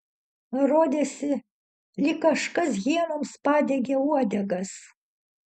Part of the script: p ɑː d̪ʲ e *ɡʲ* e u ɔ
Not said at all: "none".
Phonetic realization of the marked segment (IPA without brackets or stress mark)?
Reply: ɡʲ